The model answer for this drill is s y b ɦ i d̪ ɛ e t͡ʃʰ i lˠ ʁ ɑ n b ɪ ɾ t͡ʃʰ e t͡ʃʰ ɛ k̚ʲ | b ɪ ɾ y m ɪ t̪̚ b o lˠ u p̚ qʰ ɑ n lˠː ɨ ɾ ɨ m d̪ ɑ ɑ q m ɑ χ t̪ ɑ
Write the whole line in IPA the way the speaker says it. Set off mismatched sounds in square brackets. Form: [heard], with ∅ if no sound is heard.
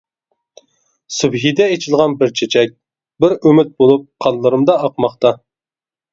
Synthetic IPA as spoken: s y b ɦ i d̪ ɛ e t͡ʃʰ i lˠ ʁ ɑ n b ɪ ɾ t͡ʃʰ e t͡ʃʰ ɛ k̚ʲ | b ɪ ɾ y m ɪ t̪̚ b o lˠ u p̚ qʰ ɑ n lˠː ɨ ɾ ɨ m d̪ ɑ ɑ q m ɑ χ t̪ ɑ

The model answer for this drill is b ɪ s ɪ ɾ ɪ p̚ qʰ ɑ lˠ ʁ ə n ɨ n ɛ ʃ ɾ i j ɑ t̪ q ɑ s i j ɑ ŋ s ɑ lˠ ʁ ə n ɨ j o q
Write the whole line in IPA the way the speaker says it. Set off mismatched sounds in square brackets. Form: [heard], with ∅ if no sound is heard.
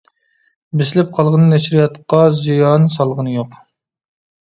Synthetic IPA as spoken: b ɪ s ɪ [l] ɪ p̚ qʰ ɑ lˠ ʁ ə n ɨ n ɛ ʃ ɾ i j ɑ t̪ q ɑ [z] i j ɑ [n] s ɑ lˠ ʁ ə n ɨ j o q

